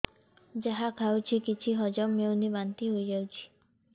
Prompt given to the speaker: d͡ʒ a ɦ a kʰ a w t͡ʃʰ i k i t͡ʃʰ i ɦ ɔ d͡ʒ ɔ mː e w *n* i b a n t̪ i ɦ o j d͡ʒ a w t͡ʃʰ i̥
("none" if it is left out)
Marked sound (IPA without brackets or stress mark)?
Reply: n